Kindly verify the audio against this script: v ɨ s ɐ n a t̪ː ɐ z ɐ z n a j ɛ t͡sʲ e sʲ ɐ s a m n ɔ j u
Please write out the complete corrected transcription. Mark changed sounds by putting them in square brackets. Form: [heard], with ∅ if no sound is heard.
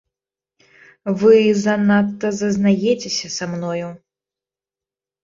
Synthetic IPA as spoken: v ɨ [z] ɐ n a t̪ː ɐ z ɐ z n a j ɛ t͡sʲ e sʲ ɐ s a m n ɔ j u